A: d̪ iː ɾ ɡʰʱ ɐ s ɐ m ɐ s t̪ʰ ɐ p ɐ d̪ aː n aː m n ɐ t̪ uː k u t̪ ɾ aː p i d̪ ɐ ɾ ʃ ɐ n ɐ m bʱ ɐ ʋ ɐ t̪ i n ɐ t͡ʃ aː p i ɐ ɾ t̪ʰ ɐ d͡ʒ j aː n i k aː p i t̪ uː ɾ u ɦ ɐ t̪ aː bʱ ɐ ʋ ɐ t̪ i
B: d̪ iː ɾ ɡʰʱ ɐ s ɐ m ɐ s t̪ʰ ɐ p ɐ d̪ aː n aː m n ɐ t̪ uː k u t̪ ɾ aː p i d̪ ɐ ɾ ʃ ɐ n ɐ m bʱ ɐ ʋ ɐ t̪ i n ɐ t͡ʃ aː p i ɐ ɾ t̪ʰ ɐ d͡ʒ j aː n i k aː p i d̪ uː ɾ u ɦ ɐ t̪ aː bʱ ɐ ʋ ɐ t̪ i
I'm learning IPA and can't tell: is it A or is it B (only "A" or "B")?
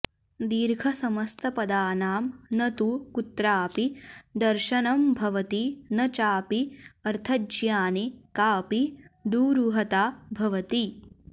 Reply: B